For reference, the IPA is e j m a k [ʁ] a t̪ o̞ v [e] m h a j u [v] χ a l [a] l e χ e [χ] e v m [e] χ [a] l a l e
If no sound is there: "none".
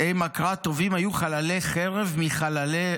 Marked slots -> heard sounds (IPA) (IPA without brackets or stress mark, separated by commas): ʁ, i, none, a, ʁ, i, a